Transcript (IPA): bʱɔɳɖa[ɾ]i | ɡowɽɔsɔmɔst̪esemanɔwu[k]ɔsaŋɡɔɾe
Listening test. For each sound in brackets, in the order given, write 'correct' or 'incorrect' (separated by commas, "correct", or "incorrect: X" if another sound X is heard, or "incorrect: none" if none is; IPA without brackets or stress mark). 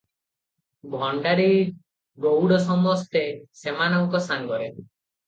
correct, correct